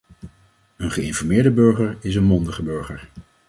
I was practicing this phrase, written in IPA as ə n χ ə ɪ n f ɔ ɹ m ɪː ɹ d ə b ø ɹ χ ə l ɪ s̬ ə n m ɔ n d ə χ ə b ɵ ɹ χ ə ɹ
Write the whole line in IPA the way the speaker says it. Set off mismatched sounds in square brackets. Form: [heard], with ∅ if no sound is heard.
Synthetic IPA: ə n χ ə ɪ n f ɔ ɹ m ɪː ɹ d ə b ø ɹ χ ə [ɹ] ɪ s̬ ə n m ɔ n d ə χ ə b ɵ ɹ χ ə ɹ